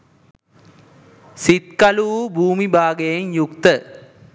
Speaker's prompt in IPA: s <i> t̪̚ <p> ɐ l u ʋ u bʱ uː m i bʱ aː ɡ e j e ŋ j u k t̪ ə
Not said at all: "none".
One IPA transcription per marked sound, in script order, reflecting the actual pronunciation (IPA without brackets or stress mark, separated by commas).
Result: i, k